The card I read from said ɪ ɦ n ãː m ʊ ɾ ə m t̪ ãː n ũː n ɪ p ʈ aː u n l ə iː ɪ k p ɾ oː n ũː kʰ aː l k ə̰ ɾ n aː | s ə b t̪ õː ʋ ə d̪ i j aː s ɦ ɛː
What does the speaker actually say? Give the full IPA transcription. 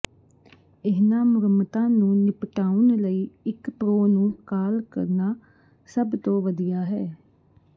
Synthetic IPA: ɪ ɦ n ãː m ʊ ɾ ə m t̪ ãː n ũː n ɪ p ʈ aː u n l ə iː ɪ k p ɾ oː n ũː k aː l k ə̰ ɾ n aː | s ə b t̪ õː ʋ ə d̪ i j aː ɦ ɛː